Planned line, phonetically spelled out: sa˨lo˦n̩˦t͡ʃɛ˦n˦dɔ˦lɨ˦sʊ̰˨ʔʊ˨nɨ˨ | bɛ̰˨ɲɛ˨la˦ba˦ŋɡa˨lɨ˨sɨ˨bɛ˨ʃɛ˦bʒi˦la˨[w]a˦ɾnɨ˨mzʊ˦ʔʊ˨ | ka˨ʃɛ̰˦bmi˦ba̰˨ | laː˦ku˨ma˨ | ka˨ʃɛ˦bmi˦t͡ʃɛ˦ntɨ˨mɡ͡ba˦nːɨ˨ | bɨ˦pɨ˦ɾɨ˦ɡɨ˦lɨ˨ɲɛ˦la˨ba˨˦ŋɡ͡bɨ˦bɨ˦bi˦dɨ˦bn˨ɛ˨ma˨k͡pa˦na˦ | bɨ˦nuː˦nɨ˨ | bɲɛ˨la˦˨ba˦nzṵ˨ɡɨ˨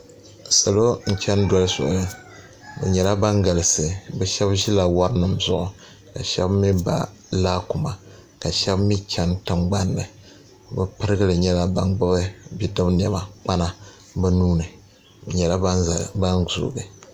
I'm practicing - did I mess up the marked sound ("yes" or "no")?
no